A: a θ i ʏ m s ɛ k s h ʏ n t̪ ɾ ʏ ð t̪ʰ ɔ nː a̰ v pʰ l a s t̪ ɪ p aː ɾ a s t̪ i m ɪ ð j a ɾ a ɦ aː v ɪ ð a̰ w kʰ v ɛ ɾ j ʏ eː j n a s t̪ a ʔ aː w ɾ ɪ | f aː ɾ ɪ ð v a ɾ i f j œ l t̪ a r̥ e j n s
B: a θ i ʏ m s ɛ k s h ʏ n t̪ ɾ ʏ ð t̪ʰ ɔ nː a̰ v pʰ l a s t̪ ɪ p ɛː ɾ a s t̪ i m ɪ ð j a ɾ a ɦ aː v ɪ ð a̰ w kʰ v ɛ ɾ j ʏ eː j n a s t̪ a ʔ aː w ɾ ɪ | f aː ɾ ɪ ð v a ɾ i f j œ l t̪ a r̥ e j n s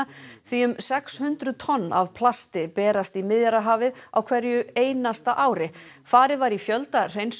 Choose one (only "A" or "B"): B